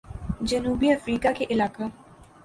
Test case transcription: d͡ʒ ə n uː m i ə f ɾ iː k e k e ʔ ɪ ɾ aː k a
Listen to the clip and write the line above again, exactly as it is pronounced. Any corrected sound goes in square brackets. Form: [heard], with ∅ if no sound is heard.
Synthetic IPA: d͡ʒ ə n uː [b] i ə f ɾ iː k [a] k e ʔ ɪ [l] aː k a